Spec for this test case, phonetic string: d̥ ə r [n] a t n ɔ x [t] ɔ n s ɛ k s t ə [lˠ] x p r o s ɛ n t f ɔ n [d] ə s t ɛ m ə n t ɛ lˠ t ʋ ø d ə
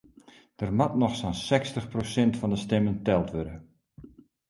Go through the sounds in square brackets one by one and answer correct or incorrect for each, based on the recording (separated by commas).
incorrect, incorrect, incorrect, correct